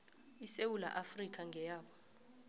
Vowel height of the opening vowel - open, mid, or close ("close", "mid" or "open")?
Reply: close